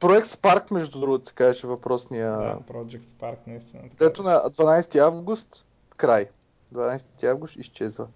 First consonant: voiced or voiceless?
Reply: voiceless